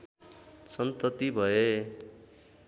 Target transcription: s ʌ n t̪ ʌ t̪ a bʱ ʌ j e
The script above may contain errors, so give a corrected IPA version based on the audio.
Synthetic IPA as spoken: s ʌ n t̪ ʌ t̪ i bʱ ʌ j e